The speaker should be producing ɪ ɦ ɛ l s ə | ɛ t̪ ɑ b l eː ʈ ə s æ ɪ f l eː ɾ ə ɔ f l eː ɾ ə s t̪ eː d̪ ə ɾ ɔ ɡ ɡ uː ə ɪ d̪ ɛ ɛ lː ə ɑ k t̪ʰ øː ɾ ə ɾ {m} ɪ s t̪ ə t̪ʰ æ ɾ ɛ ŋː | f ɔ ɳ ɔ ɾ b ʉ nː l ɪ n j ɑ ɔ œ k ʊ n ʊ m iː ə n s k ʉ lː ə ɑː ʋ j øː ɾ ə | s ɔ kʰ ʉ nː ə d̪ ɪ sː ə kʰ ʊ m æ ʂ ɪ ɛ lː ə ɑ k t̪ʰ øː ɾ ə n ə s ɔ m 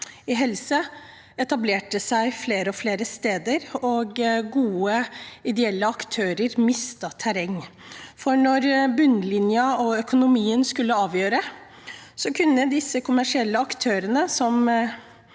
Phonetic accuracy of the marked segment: correct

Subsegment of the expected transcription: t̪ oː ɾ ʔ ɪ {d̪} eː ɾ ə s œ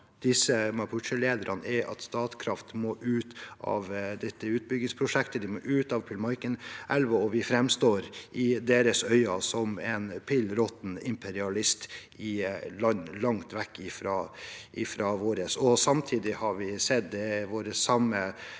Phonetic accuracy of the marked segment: correct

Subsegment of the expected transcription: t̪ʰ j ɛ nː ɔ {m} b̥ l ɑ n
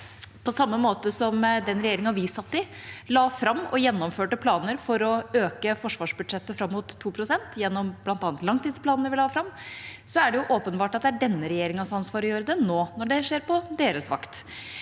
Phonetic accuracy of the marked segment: correct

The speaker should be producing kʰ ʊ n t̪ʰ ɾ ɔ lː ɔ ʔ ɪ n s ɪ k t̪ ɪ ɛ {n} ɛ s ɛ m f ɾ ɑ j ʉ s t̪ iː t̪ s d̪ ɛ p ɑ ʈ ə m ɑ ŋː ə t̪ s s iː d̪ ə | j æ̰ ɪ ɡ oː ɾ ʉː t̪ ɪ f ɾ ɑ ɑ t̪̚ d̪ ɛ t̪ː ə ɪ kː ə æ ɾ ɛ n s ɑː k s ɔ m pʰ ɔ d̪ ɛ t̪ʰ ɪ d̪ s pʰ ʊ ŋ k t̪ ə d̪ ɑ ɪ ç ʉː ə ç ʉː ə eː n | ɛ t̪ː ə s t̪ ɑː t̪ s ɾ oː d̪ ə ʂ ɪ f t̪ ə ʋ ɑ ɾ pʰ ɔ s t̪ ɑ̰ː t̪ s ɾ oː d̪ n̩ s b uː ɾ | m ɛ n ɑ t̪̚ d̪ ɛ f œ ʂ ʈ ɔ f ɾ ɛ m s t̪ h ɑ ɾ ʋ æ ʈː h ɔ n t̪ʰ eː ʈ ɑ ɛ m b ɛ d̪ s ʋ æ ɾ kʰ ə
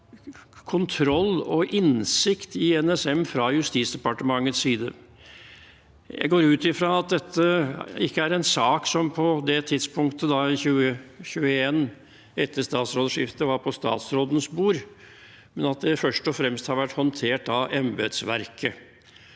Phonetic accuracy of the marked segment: correct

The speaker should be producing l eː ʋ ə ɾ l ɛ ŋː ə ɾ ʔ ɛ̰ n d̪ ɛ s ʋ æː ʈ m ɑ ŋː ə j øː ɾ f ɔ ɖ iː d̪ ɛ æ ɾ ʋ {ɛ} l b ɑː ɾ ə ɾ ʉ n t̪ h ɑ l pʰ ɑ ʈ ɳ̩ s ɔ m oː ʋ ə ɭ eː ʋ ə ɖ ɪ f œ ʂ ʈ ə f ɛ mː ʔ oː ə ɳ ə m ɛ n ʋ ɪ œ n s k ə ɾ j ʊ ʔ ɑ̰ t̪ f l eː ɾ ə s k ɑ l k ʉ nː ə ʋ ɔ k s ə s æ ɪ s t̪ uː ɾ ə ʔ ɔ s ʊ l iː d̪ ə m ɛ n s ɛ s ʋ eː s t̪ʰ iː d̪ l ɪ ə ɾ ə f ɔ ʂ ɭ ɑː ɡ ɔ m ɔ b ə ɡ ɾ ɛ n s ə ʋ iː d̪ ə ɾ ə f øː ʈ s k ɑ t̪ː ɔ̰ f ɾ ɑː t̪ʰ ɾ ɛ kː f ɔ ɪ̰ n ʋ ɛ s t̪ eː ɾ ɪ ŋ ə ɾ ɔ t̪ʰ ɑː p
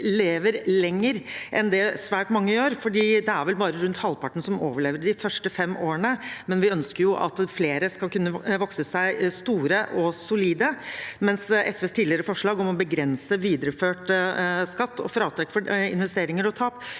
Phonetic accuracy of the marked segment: correct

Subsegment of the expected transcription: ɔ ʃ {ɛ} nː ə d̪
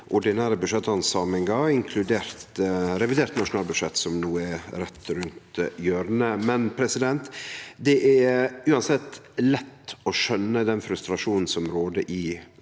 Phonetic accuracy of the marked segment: incorrect: œ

